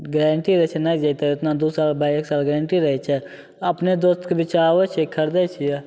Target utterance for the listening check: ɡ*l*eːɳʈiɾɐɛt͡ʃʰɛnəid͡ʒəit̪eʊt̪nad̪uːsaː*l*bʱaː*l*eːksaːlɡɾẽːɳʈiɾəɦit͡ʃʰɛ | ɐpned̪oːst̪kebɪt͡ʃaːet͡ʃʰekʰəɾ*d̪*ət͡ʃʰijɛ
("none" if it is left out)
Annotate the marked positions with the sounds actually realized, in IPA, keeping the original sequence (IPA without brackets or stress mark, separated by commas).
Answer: ɾ, l, none, d̪